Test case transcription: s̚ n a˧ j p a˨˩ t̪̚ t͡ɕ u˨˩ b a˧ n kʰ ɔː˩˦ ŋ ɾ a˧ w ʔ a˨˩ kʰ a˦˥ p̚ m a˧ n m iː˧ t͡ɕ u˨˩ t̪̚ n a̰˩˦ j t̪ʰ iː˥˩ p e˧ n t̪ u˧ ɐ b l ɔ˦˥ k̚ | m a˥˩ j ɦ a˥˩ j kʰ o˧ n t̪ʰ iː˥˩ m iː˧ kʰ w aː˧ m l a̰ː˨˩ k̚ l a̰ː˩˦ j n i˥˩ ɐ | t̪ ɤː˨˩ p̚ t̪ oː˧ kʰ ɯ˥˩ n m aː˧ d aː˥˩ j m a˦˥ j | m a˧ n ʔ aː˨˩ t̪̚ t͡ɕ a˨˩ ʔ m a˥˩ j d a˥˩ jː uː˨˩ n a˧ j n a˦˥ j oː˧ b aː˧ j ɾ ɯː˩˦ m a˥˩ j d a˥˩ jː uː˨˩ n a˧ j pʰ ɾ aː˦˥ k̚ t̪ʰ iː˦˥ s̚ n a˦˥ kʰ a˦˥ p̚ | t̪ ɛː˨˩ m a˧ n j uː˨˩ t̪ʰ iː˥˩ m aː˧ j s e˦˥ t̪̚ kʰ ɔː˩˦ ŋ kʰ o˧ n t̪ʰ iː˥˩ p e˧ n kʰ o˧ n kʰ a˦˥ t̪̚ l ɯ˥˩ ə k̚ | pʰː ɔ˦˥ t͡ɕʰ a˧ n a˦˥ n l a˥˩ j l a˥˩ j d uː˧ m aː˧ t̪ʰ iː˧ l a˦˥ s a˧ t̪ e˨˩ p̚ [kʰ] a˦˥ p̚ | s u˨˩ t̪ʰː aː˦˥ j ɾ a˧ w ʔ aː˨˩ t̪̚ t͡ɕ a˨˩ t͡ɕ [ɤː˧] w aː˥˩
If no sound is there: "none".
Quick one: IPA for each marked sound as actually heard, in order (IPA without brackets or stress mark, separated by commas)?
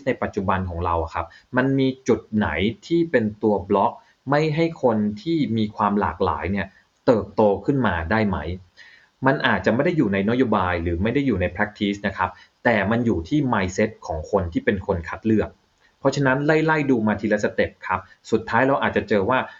kʰ, ɤː˧